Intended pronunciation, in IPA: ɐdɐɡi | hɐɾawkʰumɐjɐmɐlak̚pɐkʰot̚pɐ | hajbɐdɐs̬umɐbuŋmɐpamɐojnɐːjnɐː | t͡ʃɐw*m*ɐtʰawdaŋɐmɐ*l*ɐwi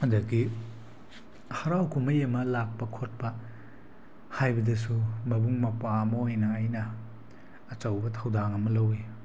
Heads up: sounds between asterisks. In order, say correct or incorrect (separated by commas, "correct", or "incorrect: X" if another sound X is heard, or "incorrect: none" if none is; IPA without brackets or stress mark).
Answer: incorrect: b, correct